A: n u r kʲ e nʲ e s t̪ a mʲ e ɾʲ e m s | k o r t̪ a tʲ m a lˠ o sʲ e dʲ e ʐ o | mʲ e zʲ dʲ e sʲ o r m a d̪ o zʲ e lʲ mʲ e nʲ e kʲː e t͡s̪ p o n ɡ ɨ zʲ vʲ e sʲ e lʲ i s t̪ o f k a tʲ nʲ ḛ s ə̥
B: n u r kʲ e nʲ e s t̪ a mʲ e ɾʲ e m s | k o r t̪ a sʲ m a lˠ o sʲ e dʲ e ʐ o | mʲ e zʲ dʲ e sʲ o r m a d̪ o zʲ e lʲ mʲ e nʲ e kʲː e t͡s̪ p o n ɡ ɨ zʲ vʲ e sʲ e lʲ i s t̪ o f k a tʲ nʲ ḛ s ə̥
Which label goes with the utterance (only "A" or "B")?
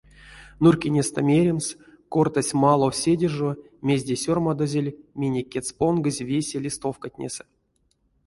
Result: B